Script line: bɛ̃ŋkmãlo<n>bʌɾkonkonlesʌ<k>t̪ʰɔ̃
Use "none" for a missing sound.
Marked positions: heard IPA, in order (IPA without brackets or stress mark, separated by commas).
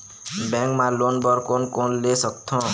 n, k